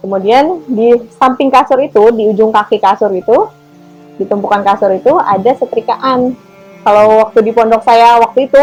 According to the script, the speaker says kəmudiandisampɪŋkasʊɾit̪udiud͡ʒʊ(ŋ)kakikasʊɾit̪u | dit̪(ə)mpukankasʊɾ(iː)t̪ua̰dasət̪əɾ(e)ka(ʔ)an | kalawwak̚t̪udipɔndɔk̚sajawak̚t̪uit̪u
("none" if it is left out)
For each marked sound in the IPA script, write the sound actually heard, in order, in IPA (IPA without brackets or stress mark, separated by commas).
ŋ, ə, i, i, ʔ